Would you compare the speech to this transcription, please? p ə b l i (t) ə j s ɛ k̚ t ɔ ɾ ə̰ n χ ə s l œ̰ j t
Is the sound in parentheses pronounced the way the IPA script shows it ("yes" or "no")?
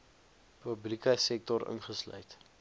no